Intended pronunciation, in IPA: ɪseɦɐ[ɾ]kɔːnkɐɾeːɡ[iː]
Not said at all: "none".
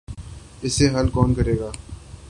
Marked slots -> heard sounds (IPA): l, aː

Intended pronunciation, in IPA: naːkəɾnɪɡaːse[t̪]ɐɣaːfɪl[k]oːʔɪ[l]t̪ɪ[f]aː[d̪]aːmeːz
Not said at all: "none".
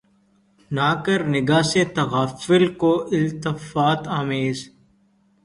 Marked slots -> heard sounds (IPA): t̪, k, l, f, t̪

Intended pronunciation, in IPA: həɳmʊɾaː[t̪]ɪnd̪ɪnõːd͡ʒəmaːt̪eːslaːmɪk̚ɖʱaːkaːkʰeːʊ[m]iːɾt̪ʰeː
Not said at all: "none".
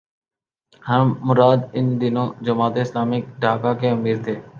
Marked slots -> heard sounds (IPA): d̪, m

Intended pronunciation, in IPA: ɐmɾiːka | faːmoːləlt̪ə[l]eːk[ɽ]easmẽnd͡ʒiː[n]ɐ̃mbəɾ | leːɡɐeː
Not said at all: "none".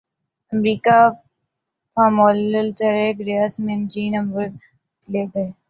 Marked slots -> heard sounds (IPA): ɾ, ɾ, n

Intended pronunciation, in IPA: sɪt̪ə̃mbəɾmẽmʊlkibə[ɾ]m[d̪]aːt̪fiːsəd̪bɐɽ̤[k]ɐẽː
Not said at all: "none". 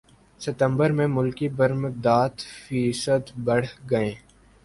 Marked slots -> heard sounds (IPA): ɾ, d̪, ɡ

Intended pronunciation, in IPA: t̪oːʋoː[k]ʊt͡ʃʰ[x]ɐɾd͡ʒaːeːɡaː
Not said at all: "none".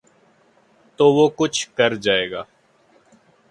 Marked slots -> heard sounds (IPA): k, k

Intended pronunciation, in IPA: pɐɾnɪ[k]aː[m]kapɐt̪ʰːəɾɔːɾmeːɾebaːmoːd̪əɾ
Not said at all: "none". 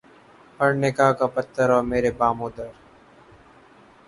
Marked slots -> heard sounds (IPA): k, none

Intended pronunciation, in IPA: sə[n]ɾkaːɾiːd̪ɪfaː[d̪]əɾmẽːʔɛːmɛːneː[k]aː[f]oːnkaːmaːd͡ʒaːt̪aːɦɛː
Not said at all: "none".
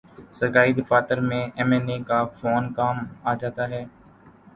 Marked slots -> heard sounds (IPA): none, t̪, k, f

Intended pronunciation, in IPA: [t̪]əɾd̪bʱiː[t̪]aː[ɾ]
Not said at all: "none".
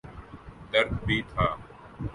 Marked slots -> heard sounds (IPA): d̪, t̪ʰ, none

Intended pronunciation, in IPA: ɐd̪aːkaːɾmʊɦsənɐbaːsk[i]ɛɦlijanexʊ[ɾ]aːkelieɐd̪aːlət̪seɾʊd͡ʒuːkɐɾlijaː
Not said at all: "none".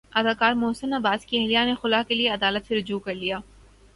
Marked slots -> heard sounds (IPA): i, l

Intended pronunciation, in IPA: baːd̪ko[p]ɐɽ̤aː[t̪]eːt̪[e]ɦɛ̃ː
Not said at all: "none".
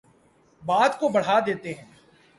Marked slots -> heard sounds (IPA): b, d̪, e

